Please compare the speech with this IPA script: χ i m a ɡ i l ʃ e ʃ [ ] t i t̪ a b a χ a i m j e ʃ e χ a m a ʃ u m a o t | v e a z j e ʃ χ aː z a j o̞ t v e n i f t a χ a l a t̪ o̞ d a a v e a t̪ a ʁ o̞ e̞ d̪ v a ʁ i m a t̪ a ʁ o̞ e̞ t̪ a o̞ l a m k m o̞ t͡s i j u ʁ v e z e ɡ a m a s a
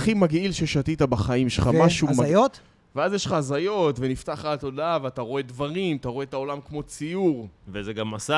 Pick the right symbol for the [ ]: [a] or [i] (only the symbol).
a